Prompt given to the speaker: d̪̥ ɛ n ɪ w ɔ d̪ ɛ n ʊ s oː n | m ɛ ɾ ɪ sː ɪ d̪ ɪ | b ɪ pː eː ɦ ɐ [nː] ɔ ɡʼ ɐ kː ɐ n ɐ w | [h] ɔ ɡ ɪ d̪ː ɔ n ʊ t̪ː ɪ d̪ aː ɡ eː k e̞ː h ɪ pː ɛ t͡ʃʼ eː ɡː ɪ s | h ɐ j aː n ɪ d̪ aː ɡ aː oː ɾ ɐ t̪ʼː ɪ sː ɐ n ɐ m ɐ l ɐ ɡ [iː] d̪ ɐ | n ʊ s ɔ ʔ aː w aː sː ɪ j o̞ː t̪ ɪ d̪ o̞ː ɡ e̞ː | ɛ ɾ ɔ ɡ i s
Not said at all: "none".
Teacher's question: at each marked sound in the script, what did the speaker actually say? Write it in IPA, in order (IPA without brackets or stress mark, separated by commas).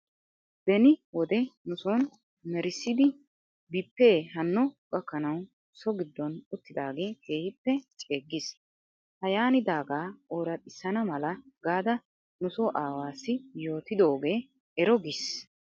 nː, s, aː